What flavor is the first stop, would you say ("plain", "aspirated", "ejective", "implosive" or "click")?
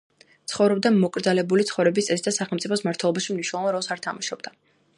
plain